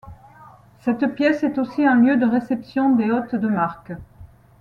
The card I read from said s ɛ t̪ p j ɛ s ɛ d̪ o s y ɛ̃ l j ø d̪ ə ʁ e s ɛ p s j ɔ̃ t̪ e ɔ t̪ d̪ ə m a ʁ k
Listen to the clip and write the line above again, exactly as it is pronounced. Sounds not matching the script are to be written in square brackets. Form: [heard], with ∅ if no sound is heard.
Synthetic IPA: s ɛ t̪ p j ɛ s ɛ [t̪] o s [i] ɛ̃ l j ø d̪ ə ʁ e s ɛ p s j ɔ̃ [d̪] e ɔ t̪ d̪ ə m a ʁ k